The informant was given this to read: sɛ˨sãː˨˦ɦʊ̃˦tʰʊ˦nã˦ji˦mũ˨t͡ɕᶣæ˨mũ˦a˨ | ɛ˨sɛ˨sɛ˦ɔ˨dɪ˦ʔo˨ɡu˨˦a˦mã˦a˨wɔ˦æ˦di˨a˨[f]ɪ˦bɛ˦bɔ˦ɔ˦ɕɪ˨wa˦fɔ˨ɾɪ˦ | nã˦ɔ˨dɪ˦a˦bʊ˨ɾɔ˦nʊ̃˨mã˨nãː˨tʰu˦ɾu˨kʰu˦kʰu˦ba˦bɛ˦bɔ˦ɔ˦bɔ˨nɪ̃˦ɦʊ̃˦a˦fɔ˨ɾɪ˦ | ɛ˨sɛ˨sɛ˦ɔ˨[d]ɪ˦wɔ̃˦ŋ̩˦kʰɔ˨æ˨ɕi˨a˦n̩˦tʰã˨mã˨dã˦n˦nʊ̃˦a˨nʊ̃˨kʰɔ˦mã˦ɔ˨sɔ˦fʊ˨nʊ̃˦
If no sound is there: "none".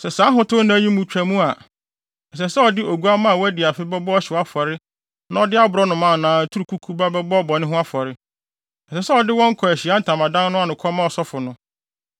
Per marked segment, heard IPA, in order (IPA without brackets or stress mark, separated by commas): f, d